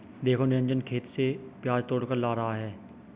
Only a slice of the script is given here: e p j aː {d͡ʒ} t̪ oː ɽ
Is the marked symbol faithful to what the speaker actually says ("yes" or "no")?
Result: yes